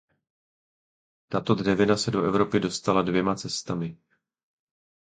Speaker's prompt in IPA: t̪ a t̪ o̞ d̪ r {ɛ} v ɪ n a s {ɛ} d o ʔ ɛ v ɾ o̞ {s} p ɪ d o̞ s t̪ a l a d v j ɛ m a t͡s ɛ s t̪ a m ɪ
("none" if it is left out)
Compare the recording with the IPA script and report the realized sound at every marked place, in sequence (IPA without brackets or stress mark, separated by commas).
ɛ, ɛ, none